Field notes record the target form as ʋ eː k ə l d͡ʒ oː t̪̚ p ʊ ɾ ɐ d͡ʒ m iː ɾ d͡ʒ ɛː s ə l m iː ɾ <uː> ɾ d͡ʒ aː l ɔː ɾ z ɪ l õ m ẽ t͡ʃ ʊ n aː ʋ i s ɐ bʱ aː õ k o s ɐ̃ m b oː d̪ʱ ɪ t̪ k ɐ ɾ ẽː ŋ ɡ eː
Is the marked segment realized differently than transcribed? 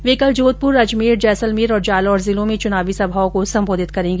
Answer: yes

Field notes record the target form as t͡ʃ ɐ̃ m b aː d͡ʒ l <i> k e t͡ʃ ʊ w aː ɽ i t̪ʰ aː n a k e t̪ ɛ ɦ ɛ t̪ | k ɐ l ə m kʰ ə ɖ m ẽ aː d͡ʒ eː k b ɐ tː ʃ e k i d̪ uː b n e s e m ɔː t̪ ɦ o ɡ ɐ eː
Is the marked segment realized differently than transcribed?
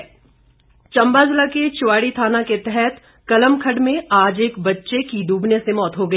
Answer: yes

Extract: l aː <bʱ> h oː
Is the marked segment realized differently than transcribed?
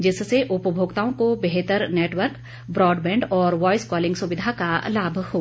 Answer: no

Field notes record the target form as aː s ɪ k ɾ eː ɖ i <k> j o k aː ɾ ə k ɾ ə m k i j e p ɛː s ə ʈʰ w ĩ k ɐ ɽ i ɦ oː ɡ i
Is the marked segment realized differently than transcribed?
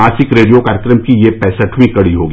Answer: yes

